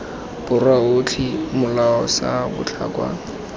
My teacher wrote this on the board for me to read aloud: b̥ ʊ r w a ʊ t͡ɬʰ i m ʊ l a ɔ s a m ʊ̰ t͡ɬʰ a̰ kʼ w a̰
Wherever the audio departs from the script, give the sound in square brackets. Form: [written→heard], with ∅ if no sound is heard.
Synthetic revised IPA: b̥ ʊ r w a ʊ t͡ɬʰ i m ʊ l a ɔ s a [m→b] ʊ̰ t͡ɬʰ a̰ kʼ w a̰